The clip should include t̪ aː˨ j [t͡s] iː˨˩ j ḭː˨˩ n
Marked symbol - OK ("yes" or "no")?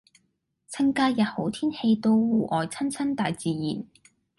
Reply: yes